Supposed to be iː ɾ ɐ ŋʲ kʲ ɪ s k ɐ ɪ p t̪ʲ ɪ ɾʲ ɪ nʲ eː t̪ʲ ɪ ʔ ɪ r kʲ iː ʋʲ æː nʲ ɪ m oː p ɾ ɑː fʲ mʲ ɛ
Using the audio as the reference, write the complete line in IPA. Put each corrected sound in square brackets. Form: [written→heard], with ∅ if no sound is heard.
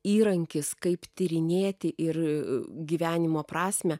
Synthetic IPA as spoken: iː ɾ ɐ ŋʲ kʲ ɪ s k ɐ ɪ p t̪ʲ ɪ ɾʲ ɪ nʲ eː t̪ʲ ɪ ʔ ɪ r [kʲ→ɡʲ] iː ʋʲ æː nʲ ɪ m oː p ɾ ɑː [fʲ→sʲ] mʲ ɛ